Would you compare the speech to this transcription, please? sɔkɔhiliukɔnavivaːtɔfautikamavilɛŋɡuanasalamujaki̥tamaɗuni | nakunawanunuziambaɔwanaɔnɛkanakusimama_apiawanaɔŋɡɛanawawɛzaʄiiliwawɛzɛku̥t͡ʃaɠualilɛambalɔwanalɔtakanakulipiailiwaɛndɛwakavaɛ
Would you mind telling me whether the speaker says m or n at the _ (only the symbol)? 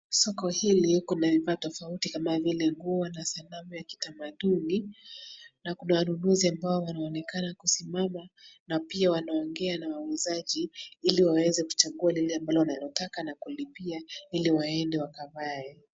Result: n